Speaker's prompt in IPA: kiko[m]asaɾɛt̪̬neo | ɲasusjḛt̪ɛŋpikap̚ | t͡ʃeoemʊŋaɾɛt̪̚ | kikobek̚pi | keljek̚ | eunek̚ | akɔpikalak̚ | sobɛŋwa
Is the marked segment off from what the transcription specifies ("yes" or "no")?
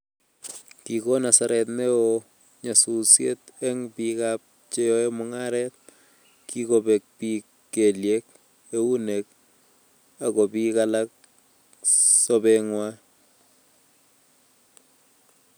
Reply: yes